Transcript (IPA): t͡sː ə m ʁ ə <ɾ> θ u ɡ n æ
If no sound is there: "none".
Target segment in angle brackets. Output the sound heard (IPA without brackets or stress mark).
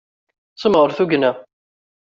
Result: ɾ